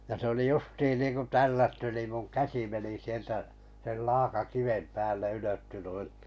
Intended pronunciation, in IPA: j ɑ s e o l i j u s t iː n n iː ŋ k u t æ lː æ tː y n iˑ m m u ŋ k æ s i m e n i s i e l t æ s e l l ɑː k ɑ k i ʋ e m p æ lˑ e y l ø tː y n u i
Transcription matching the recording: j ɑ s e o l i j u s t iː n n iː ŋ k u t æ lː æ tː y n iˑ m m u ŋ k æ s i m e n i s i e l t æ s e l l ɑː k ɑ k i ʋ e m p æː lˑ e y l ø tː y n u i